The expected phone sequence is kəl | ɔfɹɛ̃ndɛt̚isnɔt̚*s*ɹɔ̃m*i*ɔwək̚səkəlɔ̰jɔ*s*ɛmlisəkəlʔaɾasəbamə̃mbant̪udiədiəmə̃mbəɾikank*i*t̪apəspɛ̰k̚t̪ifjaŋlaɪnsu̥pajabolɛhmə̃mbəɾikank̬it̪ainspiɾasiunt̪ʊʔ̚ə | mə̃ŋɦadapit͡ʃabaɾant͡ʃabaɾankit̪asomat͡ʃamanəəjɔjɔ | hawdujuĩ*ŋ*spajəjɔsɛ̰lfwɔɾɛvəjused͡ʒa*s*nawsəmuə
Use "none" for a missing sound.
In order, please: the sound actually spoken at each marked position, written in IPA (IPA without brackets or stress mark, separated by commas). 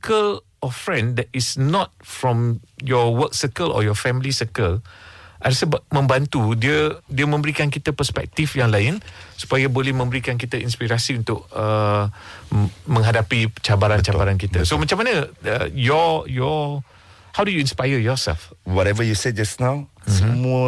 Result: f, j, f, i, n, s